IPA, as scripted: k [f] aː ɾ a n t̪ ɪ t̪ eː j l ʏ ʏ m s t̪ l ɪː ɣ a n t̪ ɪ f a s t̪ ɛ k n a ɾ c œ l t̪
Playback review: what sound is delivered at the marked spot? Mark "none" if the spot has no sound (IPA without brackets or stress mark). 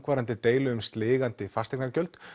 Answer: v